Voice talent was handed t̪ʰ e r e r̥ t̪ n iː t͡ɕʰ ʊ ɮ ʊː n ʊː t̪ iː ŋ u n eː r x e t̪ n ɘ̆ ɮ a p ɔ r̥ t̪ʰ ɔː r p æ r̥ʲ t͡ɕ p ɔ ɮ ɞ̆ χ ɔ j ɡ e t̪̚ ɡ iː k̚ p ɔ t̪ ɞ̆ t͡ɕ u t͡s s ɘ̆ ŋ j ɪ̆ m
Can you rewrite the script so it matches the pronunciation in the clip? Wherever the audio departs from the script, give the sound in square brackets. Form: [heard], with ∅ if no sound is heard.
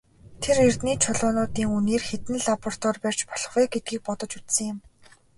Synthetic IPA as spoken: t̪ʰ e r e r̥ t̪ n iː t͡ɕʰ ʊ ɮ ʊː n ʊː t̪ iː ŋ u n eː r x e t̪ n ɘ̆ ɮ a p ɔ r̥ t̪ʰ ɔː r p æ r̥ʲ t͡ɕ p ɔ ɮ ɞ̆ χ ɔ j ɡ e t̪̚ ɡ iː k̚ p ɔ t̪ ɞ̆ t͡ɕ u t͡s s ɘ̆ ŋ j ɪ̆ m